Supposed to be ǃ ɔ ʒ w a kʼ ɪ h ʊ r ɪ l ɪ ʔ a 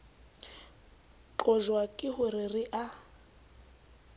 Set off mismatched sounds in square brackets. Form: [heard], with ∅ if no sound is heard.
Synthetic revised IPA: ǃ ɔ ʒ w a kʼ ɪ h ʊ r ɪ [r] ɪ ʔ a